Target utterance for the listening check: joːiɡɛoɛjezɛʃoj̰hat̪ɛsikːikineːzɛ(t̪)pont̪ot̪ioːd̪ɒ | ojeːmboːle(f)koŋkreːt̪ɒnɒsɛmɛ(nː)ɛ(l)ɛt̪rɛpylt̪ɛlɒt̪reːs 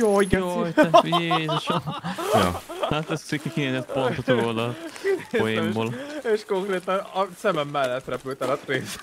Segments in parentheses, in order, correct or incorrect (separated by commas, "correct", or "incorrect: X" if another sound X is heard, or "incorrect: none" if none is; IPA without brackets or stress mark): correct, incorrect: ʃ, incorrect: mː, incorrect: lː